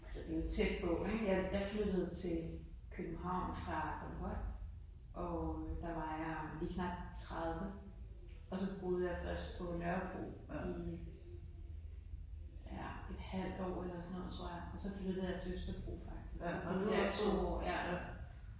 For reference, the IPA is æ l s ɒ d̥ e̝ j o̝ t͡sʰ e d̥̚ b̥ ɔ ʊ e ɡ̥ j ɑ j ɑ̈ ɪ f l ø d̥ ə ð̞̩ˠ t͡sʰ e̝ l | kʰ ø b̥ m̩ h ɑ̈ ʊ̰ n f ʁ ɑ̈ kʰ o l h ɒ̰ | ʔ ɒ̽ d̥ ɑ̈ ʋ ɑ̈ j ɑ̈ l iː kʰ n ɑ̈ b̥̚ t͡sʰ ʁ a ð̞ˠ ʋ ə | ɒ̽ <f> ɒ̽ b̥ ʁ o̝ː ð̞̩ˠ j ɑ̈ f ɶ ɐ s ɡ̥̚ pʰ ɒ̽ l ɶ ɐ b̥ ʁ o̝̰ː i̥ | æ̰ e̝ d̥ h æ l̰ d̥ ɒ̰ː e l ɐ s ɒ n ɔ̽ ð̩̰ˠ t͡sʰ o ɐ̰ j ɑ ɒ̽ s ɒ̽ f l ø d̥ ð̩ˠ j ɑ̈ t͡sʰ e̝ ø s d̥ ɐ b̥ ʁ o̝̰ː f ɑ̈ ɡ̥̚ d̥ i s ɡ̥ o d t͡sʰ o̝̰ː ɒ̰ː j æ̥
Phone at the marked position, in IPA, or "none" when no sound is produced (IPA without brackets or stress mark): s